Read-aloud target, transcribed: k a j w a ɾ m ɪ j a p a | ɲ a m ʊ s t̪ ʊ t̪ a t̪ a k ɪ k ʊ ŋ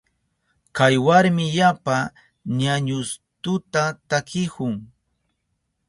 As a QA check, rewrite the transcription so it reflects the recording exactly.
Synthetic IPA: k a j w a ɾ m ɪ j a p a | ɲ a ɲ ʊ s t̪ ʊ t̪ a t̪ a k ɪ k ʊ ŋ